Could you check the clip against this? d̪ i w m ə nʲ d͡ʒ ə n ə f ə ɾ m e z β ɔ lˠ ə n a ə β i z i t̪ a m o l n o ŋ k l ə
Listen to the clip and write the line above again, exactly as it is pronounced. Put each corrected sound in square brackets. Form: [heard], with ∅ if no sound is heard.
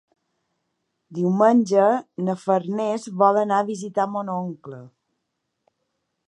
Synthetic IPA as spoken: d̪ i w m ə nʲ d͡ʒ ə n ə f ə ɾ [n] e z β ɔ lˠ ə n a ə β i z i t̪ a m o [∅] n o ŋ k l ə